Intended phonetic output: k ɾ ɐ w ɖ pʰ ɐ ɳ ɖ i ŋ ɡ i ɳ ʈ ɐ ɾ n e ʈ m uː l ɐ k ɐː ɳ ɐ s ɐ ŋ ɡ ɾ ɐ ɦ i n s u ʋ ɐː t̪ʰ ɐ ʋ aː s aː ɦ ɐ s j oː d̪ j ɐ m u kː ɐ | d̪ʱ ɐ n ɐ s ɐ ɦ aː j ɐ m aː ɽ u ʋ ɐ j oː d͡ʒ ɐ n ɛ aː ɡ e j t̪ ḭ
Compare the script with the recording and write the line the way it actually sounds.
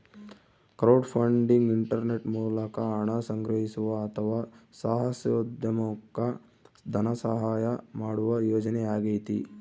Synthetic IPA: k ɾ ɐ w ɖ pʰ ɐ ɳ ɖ i ŋ ɡ i ɳ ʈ ɐ ɾ n e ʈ m uː l ɐ k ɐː ɳ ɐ s ɐ ŋ ɡ ɾ ɐ ɦ i s u ʋ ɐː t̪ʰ ɐ ʋ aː s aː ɦ ɐ s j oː d̪ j ɐ m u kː ɐ | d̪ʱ ɐ n ɐ s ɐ ɦ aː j ɐ m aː ɽ u ʋ ɐ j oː d͡ʒ ɐ n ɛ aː ɡ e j t̪ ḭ